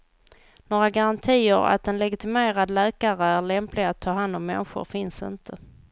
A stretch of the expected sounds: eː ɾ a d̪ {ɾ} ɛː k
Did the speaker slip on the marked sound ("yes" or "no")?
yes